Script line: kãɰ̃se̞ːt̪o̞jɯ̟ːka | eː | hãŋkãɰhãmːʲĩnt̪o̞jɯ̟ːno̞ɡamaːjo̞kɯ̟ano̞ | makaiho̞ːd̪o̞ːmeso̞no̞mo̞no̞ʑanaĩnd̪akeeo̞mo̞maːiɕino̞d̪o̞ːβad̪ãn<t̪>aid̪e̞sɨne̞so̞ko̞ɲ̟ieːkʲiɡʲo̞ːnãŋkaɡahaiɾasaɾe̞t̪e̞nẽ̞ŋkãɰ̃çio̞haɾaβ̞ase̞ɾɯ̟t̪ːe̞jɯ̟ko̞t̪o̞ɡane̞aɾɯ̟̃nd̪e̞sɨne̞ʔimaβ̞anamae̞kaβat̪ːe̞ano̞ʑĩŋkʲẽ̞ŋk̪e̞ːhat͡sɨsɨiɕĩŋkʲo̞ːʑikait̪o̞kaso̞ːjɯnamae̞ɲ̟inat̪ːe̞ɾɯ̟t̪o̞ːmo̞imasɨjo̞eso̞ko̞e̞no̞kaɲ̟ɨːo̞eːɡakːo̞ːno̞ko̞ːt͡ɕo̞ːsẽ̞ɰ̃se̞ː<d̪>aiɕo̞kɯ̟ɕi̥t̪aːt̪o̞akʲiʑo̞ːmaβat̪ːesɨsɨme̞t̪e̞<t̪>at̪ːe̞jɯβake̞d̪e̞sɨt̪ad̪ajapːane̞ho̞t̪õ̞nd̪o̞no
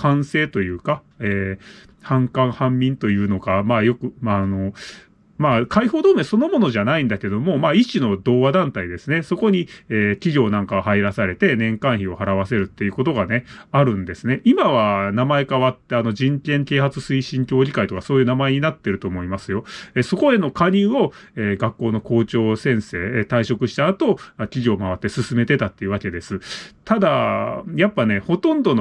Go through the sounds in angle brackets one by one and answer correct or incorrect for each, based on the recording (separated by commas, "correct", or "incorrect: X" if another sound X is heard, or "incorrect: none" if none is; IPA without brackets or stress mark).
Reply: correct, incorrect: t̪, correct